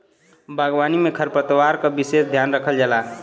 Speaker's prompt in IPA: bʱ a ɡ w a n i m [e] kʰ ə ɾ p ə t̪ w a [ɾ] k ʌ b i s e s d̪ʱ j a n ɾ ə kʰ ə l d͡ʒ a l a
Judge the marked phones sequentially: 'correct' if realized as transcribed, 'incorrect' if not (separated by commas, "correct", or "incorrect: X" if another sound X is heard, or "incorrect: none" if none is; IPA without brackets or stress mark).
correct, correct